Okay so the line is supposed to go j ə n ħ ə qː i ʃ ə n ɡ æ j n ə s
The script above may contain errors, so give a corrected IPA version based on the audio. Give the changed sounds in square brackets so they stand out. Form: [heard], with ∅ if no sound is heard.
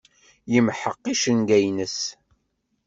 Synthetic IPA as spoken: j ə [m] ħ ə qː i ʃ ə n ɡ æ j n ə s